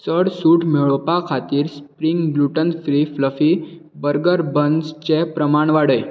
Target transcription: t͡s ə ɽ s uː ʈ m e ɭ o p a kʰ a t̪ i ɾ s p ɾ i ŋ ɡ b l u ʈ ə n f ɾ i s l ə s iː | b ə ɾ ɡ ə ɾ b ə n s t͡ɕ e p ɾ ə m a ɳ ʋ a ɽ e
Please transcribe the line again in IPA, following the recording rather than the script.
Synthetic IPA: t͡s ə ɽ s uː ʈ m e ɭ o p a kʰ a t̪ iː ɾ s p ɾ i ŋ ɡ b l u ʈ ə n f ɾ i f l ə f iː | b ə ɾ ɡ ə ɾ b ə n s t͡ɕ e p ɾ ə m a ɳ ʋ a ɽ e